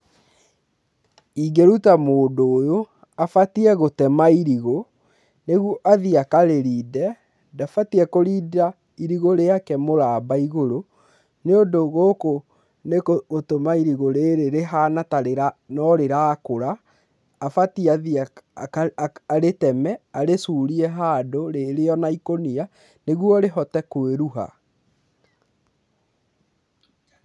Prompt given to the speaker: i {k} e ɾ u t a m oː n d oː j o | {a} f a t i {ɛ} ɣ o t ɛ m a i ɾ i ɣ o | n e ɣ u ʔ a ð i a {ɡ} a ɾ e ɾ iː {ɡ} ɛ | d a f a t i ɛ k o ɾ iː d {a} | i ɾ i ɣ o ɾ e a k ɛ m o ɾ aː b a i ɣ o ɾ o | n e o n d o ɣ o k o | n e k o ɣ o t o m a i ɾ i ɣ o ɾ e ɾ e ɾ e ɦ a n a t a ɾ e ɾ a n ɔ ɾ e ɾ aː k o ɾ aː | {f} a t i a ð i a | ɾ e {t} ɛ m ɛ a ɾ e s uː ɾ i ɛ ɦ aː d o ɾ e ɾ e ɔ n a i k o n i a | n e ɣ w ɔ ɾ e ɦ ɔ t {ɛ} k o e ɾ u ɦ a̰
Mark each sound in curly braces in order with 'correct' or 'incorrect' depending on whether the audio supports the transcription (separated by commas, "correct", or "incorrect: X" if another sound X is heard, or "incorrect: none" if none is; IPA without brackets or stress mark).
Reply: incorrect: ɡ, correct, correct, incorrect: k, incorrect: d, correct, correct, correct, correct